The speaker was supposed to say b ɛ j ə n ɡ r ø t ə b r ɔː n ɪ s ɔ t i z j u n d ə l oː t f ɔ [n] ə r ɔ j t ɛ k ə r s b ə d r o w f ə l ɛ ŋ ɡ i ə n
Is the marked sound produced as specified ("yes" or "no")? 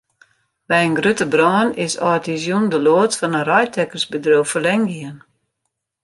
yes